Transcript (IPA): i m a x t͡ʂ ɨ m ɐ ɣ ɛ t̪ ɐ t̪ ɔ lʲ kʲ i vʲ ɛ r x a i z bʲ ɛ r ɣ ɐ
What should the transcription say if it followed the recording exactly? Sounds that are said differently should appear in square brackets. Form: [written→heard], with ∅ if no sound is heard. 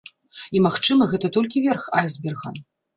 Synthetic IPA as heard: i m a x t͡ʂ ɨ m ɐ ɣ ɛ t̪ ɐ t̪ ɔ lʲ kʲ i vʲ ɛ r x a [i→j] z bʲ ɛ r ɣ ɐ